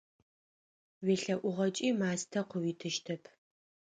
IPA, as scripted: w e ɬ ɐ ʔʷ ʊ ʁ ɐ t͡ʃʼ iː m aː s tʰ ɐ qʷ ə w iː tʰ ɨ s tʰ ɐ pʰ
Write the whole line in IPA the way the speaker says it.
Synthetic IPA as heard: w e ɬ ɐ ʔʷ ʊ ʁ ɐ t͡ʃʼ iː m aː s tʰ ɐ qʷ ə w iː tʰ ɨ ʃ tʰ ɐ pʰ